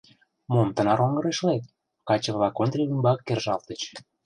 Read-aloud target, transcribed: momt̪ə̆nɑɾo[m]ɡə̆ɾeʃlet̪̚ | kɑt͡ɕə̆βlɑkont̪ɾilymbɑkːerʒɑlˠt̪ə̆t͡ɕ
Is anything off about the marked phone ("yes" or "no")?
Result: yes